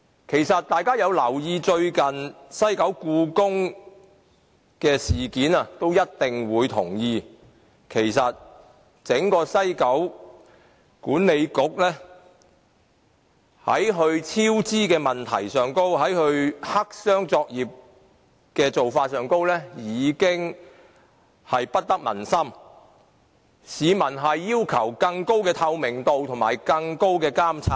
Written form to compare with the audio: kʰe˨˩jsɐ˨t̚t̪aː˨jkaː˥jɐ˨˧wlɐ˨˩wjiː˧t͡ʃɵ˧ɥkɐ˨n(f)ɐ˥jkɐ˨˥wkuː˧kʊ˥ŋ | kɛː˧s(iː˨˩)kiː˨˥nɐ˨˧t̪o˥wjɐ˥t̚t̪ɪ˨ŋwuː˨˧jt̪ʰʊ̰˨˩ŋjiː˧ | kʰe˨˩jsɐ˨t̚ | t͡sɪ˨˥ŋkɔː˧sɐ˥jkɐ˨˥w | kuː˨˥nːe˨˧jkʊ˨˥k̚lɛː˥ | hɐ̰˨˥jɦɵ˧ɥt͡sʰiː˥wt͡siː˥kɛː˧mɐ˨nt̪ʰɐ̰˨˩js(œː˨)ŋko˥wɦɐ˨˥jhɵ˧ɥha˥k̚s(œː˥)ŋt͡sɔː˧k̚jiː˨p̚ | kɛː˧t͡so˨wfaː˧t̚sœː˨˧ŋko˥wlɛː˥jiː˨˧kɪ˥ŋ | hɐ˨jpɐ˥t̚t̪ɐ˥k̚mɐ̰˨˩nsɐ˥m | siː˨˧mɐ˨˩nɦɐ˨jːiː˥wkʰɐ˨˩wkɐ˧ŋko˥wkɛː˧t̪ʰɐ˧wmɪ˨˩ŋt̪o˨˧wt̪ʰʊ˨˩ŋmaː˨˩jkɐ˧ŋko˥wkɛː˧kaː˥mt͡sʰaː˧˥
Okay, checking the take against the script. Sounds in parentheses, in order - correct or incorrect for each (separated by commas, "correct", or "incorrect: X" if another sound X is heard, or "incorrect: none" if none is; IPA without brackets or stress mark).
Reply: incorrect: s, correct, correct, correct